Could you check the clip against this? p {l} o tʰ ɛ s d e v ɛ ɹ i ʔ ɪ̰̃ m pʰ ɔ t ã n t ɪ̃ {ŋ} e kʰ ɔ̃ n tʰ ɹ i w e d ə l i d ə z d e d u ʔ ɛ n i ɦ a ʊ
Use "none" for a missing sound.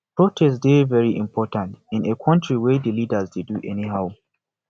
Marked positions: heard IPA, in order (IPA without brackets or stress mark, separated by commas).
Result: ɹ, n